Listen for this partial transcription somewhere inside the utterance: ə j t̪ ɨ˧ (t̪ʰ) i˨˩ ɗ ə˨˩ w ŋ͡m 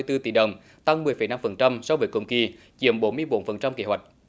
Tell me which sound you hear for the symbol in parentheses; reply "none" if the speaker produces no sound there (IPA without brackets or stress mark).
t̪